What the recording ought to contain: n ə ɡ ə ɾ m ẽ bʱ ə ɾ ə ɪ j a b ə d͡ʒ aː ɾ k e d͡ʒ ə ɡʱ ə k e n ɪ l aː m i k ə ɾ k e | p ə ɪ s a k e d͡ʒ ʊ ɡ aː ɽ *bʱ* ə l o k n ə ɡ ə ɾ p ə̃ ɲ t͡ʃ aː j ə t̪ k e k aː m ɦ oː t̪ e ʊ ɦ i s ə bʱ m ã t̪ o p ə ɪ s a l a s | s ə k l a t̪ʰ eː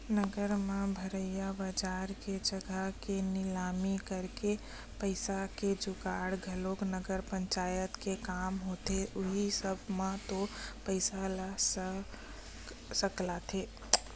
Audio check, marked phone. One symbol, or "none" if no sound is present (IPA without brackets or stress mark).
ɡʱ